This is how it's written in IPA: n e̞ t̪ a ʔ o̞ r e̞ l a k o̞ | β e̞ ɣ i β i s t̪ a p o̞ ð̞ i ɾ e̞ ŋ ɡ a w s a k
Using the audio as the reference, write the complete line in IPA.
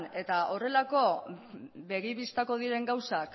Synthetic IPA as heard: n e̞ t̪ a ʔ o̞ r e̞ l a k o̞ | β e̞ ɣ i β i s t̪ a k o̞ ð̞ i ɾ e̞ ŋ ɡ a w s a k